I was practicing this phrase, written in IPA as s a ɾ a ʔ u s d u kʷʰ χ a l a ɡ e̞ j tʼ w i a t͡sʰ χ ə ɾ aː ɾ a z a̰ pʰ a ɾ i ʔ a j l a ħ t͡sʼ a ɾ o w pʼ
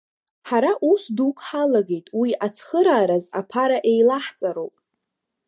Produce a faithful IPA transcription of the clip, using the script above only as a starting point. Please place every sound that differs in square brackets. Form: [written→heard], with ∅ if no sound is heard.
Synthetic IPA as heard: [s→ħ] a ɾ a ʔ u s d u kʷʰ [χ→ħ] a l a ɡ e̞ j tʼ w i a t͡sʰ χ ə ɾ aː ɾ a z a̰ pʰ a ɾ [i→a] ʔ [a→e] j l a ħ t͡sʼ a ɾ o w pʼ